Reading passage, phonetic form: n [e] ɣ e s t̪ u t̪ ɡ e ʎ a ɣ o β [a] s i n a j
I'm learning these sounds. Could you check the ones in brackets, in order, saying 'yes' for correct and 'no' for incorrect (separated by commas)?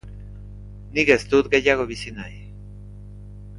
no, no